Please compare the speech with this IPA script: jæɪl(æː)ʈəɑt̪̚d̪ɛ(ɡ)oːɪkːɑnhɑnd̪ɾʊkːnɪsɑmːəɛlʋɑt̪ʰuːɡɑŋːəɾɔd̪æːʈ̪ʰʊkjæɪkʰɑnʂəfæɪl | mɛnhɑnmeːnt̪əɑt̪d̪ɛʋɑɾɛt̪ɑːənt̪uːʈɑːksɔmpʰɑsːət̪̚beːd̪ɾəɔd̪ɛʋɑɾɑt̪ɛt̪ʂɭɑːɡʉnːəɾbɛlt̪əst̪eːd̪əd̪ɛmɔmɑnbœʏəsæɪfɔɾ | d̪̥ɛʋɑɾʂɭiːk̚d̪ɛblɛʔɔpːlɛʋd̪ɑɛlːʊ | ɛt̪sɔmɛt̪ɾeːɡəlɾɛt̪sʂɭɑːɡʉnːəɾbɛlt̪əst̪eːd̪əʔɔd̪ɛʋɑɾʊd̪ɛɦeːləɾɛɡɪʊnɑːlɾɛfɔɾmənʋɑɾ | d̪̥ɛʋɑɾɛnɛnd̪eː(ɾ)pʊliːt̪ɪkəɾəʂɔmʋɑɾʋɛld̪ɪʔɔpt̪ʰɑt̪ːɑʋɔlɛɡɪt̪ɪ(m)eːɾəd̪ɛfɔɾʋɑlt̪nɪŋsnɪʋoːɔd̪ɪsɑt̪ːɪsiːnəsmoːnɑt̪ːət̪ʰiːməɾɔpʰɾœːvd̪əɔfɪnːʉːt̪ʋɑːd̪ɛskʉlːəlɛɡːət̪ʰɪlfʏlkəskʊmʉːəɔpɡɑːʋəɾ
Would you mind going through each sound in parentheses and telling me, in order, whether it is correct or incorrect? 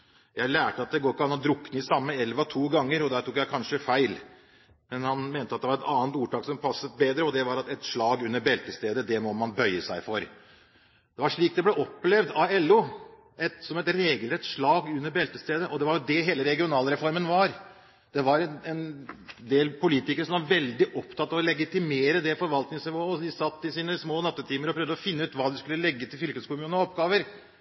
correct, correct, incorrect, correct

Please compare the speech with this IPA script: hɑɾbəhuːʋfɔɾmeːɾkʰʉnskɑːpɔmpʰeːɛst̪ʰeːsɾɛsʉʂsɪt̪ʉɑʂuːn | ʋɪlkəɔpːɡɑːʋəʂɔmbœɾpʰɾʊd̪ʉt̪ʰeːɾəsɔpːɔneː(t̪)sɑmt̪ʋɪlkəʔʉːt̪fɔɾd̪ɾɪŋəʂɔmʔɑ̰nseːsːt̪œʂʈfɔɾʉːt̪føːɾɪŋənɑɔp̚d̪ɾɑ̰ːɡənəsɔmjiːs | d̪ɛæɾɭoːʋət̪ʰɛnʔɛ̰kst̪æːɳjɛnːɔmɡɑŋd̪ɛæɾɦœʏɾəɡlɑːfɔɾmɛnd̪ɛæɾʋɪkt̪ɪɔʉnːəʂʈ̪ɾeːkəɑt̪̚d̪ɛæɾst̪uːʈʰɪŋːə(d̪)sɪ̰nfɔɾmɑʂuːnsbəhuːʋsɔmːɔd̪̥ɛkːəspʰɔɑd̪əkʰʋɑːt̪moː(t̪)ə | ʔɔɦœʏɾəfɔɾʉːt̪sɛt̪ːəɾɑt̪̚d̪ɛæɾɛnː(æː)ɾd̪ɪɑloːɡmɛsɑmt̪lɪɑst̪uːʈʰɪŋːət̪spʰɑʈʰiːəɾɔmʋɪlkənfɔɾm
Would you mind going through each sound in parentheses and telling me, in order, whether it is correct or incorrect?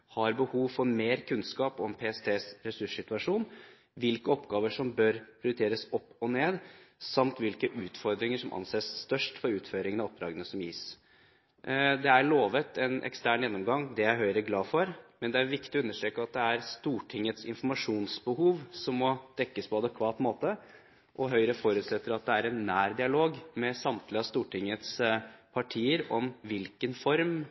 incorrect, incorrect, correct, correct

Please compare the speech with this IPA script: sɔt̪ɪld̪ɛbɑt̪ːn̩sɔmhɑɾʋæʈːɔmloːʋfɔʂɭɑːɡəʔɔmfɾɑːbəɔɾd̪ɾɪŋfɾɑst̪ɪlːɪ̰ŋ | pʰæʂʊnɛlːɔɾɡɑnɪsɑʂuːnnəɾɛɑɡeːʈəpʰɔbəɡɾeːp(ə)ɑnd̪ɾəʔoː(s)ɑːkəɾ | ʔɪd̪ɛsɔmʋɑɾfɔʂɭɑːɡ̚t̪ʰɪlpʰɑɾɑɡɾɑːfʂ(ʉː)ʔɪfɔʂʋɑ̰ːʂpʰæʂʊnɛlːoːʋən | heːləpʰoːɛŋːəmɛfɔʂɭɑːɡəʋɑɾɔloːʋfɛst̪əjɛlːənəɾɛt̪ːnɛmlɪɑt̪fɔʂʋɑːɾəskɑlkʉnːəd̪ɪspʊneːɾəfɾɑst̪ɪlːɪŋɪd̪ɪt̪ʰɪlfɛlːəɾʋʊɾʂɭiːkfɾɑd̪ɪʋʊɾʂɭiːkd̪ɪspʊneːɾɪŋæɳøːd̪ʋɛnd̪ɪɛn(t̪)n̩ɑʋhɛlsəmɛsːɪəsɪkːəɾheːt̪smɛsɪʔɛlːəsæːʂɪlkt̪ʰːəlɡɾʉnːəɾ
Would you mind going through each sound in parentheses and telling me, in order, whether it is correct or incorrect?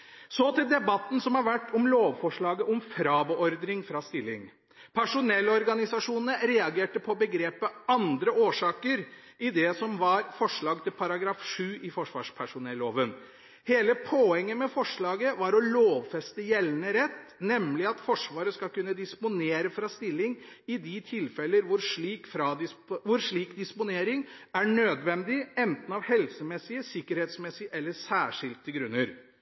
correct, incorrect, correct, correct

